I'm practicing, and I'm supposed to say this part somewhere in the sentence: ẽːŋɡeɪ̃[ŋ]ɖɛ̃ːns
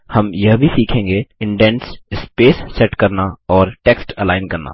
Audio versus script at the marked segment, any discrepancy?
yes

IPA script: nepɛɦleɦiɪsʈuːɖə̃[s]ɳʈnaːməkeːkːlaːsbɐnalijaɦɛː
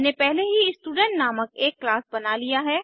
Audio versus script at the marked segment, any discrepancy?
yes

